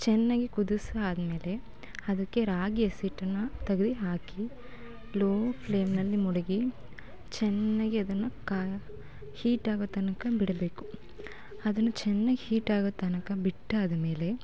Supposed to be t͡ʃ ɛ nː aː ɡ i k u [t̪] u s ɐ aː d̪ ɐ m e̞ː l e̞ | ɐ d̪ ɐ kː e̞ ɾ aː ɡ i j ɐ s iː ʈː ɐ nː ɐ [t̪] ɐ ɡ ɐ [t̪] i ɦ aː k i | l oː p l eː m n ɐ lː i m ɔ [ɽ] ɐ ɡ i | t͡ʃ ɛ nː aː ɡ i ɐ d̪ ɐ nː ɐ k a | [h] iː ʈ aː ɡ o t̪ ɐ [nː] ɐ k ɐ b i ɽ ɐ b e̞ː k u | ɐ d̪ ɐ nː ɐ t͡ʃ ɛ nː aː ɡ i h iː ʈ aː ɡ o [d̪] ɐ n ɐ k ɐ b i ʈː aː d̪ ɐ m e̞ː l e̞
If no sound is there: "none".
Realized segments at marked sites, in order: d̪, t̪, d̪, ɽ, h, n, t̪

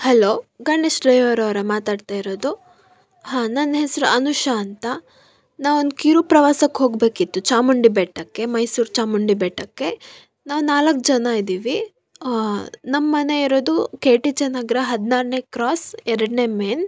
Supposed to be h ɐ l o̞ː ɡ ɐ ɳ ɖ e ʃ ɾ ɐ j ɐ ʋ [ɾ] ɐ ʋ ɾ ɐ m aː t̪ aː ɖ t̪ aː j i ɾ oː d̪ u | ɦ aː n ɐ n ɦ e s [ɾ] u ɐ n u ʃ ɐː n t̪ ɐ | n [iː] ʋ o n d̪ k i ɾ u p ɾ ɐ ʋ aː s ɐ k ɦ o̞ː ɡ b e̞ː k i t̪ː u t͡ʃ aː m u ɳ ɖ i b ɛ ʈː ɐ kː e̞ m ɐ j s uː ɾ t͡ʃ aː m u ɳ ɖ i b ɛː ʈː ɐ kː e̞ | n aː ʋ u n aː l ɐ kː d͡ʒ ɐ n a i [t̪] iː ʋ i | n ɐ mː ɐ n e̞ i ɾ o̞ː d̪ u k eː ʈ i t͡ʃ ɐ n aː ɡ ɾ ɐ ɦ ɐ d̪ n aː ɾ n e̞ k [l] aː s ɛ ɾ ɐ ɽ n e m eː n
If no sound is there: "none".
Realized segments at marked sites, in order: ɾ, ɾ, aː, d̪, ɾ

